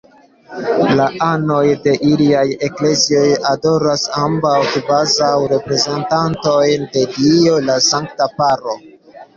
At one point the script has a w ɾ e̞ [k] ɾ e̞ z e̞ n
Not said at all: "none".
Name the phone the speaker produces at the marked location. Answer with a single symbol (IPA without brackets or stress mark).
p